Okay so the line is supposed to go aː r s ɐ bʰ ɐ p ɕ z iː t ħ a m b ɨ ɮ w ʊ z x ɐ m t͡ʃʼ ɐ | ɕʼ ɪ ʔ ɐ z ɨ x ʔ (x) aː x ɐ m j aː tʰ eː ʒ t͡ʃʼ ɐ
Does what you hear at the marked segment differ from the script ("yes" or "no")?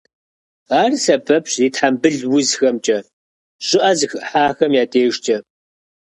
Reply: yes